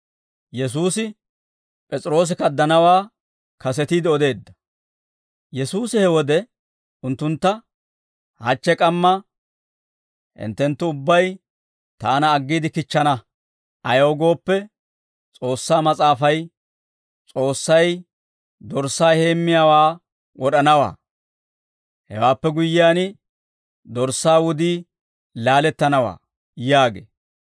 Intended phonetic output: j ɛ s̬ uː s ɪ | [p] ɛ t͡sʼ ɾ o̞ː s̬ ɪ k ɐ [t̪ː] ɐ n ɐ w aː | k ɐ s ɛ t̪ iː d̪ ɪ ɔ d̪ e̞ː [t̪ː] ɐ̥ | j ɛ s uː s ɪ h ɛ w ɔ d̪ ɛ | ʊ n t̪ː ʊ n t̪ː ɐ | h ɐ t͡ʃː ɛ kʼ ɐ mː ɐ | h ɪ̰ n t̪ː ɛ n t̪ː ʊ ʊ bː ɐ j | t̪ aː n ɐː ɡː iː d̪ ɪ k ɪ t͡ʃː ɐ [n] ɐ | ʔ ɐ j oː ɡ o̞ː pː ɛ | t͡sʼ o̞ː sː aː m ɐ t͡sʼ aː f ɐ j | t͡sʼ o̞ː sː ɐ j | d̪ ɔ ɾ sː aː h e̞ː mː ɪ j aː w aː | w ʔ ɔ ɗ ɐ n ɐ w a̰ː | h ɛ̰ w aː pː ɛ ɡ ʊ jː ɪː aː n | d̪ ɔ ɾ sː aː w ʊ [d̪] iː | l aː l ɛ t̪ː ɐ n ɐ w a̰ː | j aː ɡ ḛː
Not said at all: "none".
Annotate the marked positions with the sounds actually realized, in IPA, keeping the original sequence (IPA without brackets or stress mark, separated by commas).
pʼ, d̪ː, d̪ː, n, d̪